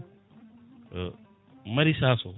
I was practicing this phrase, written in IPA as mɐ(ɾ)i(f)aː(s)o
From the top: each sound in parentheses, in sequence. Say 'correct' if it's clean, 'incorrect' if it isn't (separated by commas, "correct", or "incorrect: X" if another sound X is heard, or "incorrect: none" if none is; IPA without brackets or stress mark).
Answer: correct, incorrect: s, correct